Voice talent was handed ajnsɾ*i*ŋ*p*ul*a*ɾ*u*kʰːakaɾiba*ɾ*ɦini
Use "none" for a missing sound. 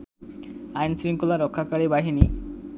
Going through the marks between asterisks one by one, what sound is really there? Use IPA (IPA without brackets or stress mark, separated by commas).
i, k, a, ɔ, none